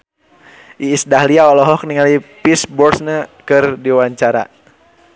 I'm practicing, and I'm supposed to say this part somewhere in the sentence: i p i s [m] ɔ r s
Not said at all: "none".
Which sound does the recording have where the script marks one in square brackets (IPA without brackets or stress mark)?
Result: b